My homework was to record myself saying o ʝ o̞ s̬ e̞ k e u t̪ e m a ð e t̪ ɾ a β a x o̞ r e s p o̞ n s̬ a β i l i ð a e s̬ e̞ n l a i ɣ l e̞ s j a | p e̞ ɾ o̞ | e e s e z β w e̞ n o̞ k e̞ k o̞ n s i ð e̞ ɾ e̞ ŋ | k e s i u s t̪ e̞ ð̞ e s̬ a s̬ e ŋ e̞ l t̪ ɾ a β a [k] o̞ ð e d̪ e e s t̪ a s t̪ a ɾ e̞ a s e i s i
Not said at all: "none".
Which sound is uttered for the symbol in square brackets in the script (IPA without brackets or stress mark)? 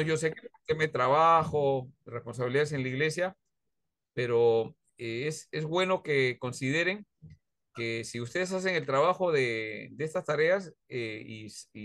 x